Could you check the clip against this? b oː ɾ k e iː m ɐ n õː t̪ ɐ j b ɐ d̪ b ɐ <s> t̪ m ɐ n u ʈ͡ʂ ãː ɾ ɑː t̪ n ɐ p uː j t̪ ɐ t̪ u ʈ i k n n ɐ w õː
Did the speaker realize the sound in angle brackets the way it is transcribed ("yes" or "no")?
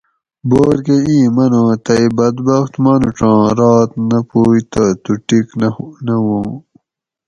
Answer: no